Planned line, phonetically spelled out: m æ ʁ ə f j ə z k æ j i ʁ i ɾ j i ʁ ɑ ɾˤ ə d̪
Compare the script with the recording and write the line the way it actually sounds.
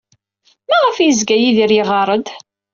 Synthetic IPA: m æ ʁ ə f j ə z ɡ æ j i ð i ɾ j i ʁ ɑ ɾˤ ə d̪